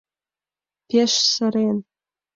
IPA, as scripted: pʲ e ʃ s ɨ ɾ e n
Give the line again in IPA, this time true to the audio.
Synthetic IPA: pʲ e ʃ s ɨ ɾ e n